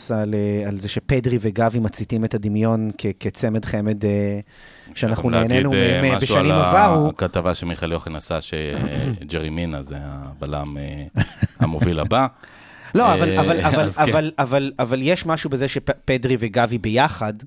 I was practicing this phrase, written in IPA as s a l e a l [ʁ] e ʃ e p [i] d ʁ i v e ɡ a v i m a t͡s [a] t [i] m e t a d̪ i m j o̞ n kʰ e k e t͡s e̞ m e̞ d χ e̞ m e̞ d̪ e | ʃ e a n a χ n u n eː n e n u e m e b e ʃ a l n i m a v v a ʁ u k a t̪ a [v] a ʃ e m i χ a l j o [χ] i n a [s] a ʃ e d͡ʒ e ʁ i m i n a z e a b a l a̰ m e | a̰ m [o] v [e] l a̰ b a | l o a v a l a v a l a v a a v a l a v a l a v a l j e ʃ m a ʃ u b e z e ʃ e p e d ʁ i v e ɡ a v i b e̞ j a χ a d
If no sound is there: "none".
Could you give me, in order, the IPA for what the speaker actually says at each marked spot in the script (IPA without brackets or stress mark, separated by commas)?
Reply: z, e, i, i, v, χ, s, o, i